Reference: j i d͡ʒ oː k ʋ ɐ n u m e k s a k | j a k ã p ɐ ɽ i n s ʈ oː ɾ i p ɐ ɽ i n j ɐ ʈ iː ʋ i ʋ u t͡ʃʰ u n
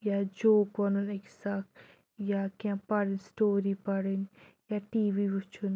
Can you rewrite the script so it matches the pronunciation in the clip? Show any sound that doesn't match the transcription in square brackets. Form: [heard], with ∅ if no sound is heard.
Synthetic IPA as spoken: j [a] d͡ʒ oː k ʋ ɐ n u [n] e k s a k | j a k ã p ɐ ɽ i n s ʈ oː ɾ i p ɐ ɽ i n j [a] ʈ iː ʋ i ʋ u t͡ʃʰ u n